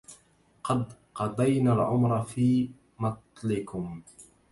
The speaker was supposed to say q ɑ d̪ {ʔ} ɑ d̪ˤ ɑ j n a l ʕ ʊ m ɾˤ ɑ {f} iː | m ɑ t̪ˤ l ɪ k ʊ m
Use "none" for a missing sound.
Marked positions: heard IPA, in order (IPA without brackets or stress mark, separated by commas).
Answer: q, f